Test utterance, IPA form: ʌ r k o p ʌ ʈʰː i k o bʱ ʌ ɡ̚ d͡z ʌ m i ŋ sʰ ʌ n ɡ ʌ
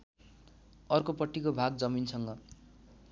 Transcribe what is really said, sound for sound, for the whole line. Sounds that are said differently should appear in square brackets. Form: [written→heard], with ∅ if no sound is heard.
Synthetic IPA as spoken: ʌ r k o p ʌ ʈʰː i k o bʱ [ʌ→a] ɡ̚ d͡z ʌ m i [ŋ→n] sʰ ʌ [n→ŋ] ɡ ʌ